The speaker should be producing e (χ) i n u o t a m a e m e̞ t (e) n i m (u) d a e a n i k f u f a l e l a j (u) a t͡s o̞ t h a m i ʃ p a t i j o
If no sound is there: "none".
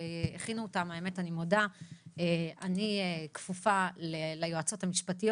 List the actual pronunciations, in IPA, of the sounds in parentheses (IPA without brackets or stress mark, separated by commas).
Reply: χ, a, o, o